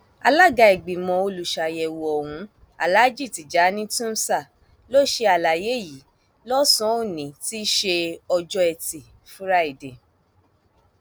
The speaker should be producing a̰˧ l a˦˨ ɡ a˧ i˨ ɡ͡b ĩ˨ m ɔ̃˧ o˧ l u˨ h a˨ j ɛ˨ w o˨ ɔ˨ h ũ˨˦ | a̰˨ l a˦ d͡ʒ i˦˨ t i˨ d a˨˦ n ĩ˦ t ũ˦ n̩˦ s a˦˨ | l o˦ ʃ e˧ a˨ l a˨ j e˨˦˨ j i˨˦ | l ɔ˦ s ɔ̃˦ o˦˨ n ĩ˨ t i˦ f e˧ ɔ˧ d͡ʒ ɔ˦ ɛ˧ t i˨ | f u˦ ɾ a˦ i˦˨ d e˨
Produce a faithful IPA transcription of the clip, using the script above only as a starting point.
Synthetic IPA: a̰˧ l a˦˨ ɡ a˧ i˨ ɡ͡b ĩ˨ m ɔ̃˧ o˧ l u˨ ʃ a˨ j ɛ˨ w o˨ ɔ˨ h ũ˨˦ | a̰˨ l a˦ d͡ʒ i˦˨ t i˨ d͡ʒ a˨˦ n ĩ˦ t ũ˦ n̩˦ s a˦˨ | l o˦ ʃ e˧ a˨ l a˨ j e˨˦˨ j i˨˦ | l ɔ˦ s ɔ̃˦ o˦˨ n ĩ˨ t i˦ ʃ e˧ ɔ˧ d͡ʒ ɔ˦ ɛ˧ t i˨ | f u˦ ɾ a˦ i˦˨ d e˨